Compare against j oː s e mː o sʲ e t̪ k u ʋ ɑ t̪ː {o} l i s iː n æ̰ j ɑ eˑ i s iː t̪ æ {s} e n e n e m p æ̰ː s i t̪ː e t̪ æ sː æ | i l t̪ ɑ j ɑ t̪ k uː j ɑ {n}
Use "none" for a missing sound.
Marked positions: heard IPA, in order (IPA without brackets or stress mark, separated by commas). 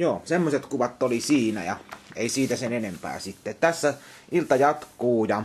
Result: o, s, none